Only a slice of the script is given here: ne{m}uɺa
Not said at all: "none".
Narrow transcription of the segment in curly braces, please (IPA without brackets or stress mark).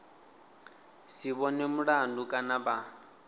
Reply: m